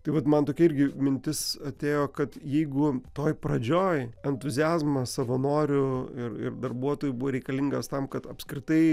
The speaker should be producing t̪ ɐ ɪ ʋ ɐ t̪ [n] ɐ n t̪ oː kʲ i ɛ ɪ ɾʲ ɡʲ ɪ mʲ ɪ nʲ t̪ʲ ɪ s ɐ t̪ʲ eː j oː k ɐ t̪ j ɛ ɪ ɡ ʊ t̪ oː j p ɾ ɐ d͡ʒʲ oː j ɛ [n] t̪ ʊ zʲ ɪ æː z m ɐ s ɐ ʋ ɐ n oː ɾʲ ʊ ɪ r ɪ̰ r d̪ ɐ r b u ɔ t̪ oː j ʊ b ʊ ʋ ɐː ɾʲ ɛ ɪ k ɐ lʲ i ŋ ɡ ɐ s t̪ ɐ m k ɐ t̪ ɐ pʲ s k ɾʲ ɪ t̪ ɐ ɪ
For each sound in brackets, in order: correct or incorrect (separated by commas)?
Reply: incorrect, correct